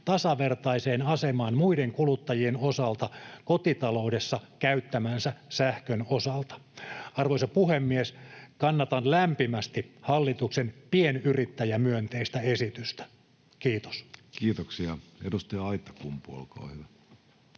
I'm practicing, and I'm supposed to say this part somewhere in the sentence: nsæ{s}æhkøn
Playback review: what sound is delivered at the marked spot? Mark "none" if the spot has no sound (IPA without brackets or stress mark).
s